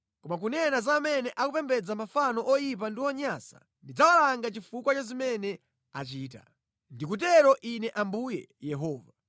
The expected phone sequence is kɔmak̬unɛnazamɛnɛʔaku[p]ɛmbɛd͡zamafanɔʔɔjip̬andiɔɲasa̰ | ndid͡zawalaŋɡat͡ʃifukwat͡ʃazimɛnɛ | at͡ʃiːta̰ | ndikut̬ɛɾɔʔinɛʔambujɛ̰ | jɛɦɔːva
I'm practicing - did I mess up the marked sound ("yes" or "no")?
no